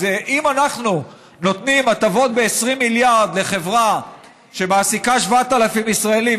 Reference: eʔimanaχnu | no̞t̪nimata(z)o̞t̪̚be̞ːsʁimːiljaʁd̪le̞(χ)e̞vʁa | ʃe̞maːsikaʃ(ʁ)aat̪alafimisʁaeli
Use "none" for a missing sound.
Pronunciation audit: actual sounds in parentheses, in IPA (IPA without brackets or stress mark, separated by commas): v, χ, v